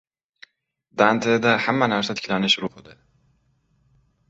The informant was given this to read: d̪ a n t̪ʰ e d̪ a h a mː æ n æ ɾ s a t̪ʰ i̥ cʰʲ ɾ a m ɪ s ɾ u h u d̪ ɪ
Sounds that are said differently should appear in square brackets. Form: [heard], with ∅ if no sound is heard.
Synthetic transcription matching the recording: d̪ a n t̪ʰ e d̪ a h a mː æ n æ ɾ s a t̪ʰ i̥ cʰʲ [l] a [n] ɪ [ʃ] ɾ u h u d̪ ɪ